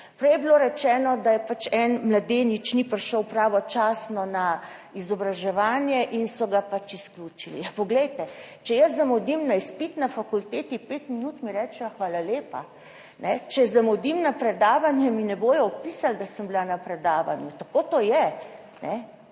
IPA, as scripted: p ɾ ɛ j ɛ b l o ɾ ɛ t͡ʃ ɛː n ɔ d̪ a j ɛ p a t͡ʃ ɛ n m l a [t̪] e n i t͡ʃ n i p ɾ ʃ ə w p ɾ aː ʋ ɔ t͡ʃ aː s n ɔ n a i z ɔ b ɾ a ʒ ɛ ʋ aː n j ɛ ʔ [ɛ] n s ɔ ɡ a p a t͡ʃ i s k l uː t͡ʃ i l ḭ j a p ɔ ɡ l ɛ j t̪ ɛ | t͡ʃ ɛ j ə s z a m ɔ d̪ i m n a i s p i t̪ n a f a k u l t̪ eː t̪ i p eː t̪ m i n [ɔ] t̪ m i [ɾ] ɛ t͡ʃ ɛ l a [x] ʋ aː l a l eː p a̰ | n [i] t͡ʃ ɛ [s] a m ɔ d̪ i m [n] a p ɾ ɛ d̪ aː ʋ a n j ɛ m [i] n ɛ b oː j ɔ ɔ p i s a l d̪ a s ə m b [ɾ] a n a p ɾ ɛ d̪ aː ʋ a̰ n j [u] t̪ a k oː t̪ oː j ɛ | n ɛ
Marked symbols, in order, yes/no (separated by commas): no, no, no, yes, yes, no, no, yes, yes, no, yes